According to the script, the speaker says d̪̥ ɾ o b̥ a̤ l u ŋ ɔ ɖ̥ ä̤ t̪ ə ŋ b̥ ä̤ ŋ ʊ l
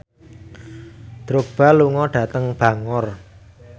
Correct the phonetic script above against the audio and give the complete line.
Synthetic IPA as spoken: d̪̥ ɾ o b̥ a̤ l u ŋ ɔ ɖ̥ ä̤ t̪ ə ŋ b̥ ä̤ ŋ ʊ r